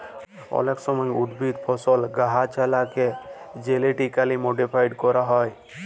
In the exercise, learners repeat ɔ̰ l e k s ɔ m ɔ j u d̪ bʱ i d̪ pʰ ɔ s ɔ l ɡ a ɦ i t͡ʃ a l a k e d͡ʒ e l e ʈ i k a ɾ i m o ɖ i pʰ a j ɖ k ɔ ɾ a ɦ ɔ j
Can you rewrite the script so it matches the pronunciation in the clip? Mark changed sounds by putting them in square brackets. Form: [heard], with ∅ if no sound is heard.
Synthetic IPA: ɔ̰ l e k s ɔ m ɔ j u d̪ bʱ i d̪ pʰ ɔ s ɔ l ɡ a ɦ [a] t͡ʃ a l a k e d͡ʒ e l e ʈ i k a [l] i m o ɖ i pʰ a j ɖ k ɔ ɾ a ɦ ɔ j